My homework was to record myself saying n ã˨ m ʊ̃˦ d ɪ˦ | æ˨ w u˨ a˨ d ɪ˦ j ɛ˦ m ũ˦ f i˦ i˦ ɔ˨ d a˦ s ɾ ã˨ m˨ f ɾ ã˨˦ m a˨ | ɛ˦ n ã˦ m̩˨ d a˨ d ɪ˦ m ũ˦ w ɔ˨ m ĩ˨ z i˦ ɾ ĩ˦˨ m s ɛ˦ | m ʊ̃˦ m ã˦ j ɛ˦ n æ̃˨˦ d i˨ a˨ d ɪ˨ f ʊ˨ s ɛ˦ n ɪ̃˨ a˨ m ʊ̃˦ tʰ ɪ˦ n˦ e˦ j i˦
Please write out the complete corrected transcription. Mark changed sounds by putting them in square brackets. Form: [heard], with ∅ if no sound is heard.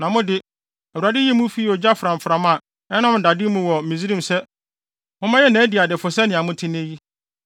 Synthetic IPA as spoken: n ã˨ m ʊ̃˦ d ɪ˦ | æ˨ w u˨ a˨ d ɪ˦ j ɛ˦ m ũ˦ f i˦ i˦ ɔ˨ [d͡ʑ] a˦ [f] ɾ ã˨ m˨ f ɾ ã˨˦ m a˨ | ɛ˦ n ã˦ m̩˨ d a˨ d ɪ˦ m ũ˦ w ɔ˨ m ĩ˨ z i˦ ɾ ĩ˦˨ m s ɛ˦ | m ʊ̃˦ m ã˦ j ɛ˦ n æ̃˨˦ d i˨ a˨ d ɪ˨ f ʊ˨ s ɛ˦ n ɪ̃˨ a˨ m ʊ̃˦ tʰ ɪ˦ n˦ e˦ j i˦